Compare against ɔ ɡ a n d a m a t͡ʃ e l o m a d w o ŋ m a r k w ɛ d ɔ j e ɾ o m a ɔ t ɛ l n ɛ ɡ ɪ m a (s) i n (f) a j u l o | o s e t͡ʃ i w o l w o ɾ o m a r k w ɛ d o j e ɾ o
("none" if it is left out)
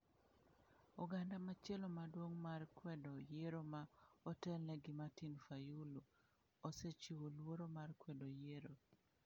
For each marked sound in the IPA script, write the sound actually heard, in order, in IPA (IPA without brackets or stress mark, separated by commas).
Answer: t, f